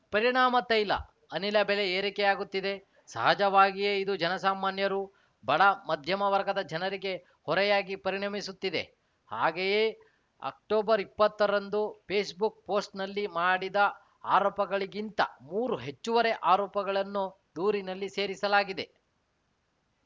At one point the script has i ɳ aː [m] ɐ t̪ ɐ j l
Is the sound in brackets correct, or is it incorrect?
correct